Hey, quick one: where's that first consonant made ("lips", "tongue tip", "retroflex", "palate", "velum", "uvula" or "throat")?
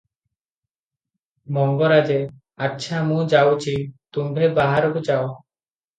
lips